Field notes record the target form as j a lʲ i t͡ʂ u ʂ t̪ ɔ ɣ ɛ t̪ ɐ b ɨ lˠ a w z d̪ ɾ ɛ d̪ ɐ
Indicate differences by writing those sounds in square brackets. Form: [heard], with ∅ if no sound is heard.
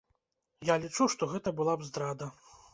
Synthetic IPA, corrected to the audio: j a lʲ i t͡ʂ u ʂ t̪ ɔ ɣ ɛ t̪ ɐ b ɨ lˠ a [b] z d̪ ɾ [a] d̪ ɐ